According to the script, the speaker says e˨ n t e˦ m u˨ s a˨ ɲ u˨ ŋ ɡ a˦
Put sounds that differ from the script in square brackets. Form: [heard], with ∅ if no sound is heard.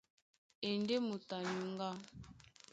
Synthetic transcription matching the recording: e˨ n [d] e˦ m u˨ [t] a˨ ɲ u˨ ŋ ɡ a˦

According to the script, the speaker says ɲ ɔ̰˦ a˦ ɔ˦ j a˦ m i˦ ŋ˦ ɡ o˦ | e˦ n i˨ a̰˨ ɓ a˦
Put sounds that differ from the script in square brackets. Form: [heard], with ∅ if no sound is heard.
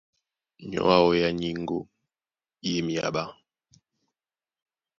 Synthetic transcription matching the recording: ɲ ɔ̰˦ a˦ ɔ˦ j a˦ [ɲ] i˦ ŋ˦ ɡ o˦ | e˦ [m] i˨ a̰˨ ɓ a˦

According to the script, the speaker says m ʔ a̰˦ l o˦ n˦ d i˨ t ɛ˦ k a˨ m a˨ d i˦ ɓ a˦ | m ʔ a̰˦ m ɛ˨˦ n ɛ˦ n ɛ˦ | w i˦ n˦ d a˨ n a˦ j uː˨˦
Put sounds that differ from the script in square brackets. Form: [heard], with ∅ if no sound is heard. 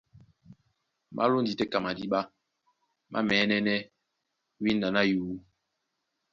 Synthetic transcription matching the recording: m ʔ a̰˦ l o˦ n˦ d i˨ t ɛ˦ k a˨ m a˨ d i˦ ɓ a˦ | m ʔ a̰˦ m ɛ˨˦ n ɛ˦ n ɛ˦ | w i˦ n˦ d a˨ n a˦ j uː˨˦

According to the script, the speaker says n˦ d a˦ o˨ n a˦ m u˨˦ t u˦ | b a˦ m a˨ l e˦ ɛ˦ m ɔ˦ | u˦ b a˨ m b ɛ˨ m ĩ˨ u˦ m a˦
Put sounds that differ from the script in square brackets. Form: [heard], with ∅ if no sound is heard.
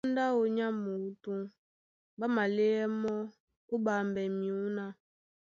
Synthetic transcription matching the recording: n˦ d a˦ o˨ [ɲ] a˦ m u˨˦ t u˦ | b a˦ m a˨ l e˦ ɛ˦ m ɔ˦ | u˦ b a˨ m b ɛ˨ m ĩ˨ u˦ [n] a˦

